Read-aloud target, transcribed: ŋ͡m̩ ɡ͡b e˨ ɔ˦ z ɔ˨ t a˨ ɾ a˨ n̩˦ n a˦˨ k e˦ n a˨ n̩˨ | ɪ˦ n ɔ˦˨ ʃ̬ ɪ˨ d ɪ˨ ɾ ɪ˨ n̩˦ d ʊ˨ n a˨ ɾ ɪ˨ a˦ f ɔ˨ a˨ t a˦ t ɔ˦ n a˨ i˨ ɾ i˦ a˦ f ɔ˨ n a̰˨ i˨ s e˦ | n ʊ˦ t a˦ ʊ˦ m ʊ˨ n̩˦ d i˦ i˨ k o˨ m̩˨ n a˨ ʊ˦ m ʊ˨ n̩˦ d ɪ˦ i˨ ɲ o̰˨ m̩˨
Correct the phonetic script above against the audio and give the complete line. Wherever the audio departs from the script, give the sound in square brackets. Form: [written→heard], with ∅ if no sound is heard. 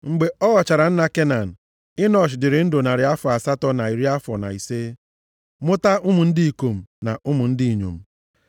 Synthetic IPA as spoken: ŋ͡m̩ ɡ͡b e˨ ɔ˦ [z→ɣ] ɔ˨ [t→t͡ʃ] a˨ ɾ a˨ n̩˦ n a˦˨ k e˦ n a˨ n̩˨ | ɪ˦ n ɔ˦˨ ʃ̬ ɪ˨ d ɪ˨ ɾ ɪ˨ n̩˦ d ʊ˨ n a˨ ɾ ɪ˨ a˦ f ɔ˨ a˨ [t→s] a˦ t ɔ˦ n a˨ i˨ ɾ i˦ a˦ f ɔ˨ n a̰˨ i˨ s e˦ | [n→m] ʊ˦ t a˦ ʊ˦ m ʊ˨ n̩˦ d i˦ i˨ k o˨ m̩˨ n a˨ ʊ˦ m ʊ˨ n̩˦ d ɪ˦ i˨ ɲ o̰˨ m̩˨